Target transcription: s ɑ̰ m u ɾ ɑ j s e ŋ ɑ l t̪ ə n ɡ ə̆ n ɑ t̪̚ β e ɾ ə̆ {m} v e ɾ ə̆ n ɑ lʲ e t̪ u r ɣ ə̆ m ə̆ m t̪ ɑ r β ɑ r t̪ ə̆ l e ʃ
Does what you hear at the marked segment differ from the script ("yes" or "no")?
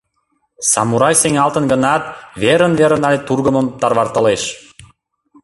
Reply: yes